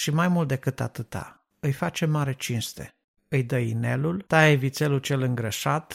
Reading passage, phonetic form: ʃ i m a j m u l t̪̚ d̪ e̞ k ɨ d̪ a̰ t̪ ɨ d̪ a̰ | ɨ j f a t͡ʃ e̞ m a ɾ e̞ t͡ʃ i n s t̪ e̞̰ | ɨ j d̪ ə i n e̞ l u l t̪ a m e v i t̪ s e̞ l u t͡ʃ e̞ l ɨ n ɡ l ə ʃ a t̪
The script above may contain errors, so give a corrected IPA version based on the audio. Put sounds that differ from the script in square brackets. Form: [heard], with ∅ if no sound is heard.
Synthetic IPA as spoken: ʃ i m a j m u l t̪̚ d̪ e̞ k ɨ [t̪] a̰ t̪ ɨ [t̪] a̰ | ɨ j f a t͡ʃ e̞ m a ɾ e̞ t͡ʃ i n s t̪ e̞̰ | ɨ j d̪ ə i n e̞ l u l t̪ a [∅] e v i t̪ s e̞ l u t͡ʃ e̞ l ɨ [ŋ] ɡ [ɾ] ə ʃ a t̪